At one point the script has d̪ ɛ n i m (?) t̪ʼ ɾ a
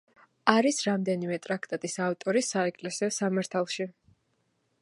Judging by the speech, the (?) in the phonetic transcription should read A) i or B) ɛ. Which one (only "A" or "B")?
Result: B